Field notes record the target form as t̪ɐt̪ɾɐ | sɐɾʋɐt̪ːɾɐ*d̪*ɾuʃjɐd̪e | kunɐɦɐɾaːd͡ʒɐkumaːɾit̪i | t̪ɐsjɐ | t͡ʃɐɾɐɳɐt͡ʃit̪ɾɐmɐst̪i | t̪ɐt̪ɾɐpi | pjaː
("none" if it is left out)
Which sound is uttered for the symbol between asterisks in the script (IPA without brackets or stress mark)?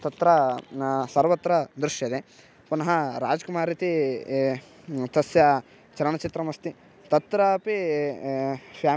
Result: d̪